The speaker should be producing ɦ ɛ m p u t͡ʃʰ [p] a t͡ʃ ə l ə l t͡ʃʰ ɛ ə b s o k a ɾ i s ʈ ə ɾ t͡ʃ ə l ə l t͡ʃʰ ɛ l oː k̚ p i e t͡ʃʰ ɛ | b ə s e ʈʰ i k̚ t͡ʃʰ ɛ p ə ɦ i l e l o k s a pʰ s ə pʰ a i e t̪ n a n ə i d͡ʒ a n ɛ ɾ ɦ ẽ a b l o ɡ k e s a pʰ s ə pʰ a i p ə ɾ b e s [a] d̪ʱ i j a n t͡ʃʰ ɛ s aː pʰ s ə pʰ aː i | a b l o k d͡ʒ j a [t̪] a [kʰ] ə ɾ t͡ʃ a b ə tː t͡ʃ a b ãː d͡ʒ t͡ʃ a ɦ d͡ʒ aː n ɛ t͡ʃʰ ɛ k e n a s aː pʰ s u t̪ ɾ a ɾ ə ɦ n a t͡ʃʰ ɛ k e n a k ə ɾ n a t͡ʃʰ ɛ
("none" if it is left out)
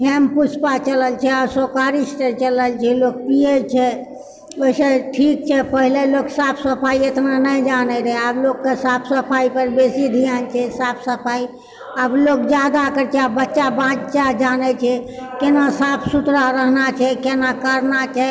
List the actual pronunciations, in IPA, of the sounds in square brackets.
p, i, d̪, k

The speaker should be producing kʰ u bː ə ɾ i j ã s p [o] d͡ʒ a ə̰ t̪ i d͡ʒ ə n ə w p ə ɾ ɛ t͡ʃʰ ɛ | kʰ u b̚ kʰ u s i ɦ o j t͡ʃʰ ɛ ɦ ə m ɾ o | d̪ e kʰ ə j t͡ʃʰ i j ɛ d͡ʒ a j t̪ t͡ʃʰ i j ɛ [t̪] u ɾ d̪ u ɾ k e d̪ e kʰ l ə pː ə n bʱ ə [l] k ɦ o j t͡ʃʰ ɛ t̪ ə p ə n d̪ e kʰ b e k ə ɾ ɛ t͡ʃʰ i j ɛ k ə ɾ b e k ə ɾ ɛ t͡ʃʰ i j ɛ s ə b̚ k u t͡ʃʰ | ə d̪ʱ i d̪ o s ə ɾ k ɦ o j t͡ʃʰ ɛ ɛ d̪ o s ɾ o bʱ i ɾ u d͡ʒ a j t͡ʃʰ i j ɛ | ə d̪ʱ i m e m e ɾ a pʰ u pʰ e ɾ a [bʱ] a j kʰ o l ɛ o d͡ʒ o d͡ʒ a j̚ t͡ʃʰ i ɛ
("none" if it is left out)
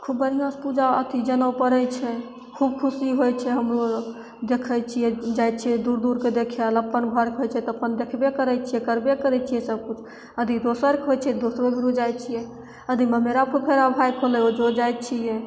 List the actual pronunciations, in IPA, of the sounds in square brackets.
u, d̪, ɾ, bʱ

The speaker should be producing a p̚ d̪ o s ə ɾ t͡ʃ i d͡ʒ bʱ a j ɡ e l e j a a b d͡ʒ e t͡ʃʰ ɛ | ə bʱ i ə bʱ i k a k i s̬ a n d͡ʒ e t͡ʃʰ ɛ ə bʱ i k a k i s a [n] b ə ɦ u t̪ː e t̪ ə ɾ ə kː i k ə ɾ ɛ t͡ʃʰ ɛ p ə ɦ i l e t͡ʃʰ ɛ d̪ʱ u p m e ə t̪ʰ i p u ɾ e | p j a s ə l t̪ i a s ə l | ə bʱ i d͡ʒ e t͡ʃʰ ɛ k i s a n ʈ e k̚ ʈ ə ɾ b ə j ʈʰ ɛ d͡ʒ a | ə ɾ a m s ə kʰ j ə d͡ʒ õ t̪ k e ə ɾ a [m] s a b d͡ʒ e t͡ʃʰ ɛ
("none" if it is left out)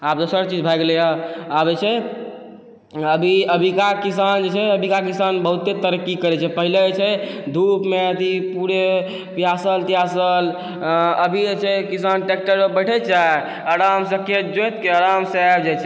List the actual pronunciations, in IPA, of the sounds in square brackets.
n, m

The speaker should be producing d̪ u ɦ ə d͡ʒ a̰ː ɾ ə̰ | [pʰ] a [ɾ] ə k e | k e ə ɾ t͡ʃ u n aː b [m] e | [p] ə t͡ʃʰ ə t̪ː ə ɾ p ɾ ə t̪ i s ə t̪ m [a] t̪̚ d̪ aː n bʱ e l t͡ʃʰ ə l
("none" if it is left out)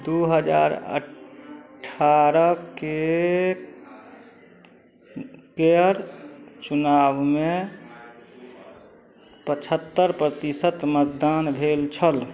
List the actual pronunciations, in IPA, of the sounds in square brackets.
ʈʰ, ɾ, m, p, ə

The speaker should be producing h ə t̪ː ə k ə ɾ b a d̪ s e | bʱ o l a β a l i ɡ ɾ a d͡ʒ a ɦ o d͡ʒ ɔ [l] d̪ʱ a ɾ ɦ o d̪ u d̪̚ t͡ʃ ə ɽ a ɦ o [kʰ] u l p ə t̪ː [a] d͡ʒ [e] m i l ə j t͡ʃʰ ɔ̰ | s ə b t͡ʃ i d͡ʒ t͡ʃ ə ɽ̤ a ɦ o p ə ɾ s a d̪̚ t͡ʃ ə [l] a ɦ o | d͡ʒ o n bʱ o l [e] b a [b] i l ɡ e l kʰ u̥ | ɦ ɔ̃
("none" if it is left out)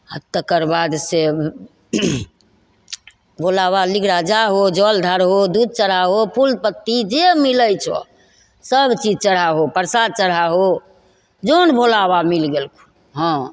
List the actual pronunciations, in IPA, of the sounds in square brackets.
l, pʰ, i, e, ɽ, a, m

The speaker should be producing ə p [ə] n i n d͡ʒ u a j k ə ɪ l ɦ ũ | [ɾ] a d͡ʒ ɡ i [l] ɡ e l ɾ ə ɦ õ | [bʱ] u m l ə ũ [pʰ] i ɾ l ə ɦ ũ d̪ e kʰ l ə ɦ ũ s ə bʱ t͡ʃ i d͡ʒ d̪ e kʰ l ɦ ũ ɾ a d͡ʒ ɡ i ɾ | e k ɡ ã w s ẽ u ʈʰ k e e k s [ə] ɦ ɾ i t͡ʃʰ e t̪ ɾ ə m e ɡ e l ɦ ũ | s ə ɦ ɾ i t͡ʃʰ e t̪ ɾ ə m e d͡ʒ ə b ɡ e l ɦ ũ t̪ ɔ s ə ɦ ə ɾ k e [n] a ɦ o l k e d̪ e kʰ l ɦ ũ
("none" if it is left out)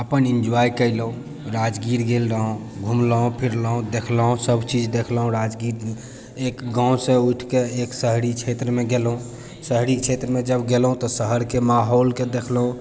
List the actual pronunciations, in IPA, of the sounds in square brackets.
ə, ɾ, ɾ, ɡʱ, pʰ, ə, m

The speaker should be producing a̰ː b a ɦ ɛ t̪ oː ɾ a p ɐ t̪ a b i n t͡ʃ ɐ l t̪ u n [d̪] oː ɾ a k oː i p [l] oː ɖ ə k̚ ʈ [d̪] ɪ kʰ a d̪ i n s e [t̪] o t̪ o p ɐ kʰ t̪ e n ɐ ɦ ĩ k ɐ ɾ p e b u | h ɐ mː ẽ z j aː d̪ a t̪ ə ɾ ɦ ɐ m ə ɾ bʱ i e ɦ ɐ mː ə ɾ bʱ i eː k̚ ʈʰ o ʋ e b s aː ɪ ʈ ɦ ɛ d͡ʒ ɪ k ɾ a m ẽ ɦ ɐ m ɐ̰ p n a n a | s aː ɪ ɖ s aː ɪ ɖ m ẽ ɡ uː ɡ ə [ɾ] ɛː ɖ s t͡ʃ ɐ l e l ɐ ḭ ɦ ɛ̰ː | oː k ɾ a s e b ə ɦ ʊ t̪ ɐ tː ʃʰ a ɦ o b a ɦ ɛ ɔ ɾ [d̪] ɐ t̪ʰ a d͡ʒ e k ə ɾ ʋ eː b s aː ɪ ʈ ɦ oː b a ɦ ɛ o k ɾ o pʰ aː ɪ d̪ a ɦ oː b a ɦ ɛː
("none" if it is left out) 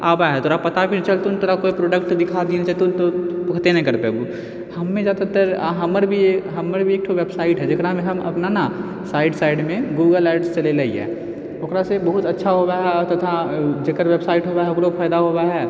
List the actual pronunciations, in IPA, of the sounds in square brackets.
t̪, ɾ, d̪, t̪, l, t̪

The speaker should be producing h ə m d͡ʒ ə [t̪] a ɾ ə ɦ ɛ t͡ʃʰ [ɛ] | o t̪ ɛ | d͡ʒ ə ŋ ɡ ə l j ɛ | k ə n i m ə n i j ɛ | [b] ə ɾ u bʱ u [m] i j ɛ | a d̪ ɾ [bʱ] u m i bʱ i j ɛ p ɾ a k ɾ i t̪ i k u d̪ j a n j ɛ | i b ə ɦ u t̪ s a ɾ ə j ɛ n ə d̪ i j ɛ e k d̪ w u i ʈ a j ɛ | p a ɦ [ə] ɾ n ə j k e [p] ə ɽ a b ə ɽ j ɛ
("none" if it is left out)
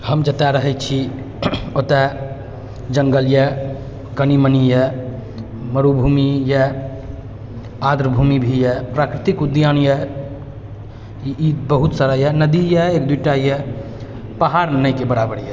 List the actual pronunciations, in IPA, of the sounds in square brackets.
t̪, i, m, m, bʱ, a, b

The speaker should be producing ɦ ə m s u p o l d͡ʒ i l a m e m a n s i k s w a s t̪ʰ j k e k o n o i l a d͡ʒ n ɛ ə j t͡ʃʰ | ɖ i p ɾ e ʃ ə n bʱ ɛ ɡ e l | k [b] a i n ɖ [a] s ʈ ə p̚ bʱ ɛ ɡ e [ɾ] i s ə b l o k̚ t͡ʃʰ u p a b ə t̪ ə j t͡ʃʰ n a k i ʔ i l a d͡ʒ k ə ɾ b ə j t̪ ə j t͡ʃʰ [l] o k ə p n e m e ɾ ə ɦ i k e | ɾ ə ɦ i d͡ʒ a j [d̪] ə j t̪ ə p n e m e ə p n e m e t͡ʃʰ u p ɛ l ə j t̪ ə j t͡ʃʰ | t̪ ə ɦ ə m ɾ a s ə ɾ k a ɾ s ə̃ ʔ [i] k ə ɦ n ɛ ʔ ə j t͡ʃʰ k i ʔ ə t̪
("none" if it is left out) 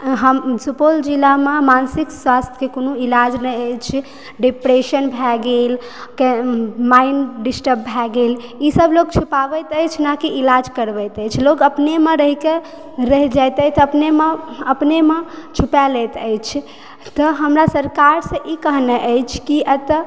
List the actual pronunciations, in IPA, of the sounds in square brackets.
m, i, l, l, t̪, i

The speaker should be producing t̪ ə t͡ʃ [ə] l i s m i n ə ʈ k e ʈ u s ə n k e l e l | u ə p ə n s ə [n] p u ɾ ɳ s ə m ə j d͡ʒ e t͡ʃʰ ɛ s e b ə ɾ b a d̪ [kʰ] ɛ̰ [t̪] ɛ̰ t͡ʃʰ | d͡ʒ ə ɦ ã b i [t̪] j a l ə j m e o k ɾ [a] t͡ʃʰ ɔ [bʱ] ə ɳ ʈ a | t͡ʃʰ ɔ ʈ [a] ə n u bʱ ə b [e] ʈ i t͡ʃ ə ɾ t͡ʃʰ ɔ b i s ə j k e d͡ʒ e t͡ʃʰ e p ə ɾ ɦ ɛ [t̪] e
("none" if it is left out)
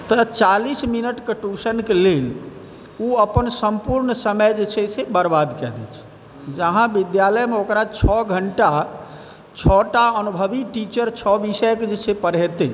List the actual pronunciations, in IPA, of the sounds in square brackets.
a, m, k, d̪, d̪, a, ɡʱ, a, i, t̪

